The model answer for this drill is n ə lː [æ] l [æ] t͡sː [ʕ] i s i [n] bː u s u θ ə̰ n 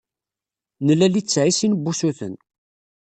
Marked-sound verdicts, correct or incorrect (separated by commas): correct, incorrect, correct, correct